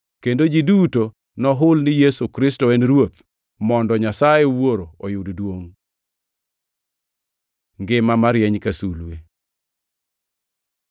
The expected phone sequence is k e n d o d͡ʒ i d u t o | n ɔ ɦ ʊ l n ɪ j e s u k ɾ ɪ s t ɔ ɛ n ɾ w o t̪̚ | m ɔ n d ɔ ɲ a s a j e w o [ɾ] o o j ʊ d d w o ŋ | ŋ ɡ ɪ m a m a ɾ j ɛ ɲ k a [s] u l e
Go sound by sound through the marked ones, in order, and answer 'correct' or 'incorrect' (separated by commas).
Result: correct, correct